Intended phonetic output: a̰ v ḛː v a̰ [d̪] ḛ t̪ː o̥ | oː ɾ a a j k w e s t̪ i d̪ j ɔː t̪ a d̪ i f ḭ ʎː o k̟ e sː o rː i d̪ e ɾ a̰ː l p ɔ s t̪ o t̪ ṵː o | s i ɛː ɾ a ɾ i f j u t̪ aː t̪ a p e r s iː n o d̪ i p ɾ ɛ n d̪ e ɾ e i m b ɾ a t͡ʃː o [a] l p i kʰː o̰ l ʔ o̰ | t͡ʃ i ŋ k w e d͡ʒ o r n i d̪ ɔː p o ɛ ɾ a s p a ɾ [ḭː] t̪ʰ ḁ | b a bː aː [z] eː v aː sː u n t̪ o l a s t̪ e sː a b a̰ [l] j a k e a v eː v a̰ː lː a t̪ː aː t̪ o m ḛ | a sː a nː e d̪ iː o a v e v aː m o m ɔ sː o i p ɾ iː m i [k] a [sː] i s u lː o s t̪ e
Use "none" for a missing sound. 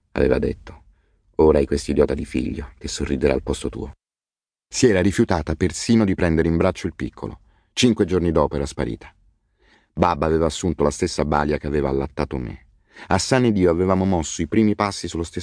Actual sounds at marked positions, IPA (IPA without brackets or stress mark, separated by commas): d̪, i, ḭː, v, l, p, sː